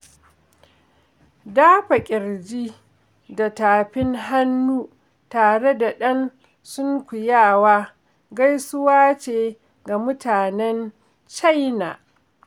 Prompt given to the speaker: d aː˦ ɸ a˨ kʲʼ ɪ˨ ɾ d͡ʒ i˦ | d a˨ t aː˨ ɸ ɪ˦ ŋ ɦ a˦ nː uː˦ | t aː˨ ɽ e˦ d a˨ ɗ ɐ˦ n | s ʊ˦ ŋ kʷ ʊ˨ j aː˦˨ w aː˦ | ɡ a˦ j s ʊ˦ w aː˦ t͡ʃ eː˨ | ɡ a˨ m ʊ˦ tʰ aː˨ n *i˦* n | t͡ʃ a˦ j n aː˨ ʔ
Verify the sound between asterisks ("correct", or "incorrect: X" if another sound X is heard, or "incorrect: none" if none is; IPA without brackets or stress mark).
incorrect: ɛ˦